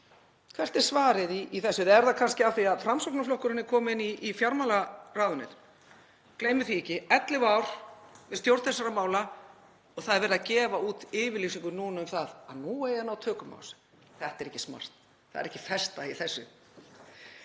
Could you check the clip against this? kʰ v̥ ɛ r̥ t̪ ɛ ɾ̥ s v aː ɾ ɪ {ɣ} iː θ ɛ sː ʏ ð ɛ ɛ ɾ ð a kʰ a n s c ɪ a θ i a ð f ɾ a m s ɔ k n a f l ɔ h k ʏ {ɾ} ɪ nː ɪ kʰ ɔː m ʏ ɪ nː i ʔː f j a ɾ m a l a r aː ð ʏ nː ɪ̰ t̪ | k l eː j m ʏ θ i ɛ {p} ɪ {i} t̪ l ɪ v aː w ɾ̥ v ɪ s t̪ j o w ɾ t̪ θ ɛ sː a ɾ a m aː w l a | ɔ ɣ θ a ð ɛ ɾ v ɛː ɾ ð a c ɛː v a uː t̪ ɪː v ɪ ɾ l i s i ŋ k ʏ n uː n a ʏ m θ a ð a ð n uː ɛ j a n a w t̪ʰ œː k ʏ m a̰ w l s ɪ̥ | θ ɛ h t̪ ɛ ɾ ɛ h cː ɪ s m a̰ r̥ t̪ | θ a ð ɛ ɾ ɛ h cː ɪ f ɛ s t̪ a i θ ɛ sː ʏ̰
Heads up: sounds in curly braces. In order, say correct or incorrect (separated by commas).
incorrect, correct, incorrect, incorrect